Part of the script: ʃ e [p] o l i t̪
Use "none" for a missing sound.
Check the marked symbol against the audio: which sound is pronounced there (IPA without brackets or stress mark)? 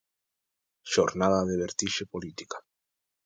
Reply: p